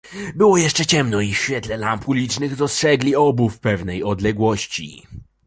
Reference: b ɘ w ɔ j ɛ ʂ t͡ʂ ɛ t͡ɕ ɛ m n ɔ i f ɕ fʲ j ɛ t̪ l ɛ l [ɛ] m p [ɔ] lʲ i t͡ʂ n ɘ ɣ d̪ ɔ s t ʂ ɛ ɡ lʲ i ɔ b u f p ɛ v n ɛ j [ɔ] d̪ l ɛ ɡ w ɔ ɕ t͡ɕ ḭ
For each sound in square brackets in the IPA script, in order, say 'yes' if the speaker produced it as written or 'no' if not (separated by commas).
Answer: no, no, yes